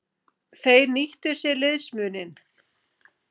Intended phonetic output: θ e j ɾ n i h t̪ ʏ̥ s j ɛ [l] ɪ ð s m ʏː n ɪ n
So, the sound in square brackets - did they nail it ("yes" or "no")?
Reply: yes